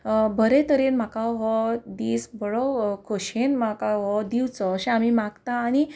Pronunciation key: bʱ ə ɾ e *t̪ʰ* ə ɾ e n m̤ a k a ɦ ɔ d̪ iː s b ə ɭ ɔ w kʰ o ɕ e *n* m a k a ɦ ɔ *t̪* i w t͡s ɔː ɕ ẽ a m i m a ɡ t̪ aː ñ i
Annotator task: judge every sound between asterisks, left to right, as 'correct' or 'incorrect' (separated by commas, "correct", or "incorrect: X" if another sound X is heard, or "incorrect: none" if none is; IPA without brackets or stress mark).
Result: incorrect: t̪, correct, incorrect: d̪